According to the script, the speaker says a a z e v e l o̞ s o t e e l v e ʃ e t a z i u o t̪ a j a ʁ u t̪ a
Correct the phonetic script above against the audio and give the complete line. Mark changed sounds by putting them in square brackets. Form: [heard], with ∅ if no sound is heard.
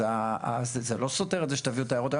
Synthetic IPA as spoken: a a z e [z] e l o̞ s o t e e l [z] e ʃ e t a [v] i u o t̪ a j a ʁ [o] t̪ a